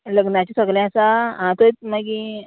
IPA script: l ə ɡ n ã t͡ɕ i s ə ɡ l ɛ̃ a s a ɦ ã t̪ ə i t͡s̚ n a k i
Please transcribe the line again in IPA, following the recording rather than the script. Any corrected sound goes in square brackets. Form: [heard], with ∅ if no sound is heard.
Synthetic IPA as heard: l ə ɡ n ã t͡ɕ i s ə ɡ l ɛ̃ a s a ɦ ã t̪ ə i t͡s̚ [m] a [ɡ] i